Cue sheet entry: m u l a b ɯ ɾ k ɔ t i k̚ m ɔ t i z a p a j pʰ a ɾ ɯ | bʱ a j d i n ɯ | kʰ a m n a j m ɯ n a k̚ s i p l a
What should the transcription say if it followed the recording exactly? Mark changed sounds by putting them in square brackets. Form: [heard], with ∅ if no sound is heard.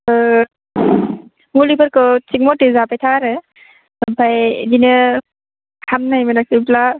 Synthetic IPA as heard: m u l [i] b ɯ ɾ k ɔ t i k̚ m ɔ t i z a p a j [tʰ] a ɾ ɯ | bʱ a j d i n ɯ | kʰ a m n a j m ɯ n a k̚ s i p l a